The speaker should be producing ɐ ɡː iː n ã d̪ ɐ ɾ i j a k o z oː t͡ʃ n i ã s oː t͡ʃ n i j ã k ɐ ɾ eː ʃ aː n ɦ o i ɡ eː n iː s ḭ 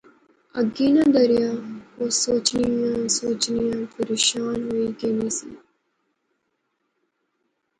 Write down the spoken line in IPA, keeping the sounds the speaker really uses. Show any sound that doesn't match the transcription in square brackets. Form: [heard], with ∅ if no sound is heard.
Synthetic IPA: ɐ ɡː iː n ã d̪ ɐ ɾ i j a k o [s] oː t͡ʃ n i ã s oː t͡ʃ n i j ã [p] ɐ ɾ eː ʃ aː n ɦ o i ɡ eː n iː s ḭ